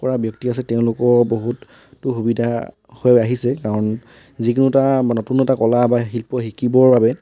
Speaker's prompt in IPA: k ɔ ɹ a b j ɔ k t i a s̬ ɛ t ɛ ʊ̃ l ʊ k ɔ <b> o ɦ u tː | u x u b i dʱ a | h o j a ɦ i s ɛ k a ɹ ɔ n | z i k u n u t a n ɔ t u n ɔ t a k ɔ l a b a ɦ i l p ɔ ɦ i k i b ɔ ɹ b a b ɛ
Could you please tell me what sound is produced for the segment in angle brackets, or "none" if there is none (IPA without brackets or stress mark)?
b